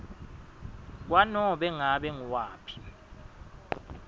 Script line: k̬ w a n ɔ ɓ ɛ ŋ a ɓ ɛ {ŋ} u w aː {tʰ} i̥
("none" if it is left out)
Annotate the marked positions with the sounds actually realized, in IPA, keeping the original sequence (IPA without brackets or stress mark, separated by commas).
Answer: ŋ, pʰ